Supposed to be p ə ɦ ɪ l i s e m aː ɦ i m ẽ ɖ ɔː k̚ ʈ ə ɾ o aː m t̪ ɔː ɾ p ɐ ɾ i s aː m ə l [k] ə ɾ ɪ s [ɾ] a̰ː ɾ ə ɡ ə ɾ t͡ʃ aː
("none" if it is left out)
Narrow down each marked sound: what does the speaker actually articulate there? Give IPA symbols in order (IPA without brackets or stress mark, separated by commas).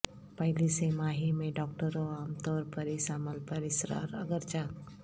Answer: p, ɾ